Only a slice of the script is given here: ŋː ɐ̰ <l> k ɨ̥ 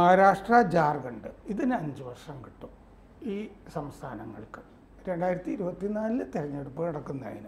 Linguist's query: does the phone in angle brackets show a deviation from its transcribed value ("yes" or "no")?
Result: yes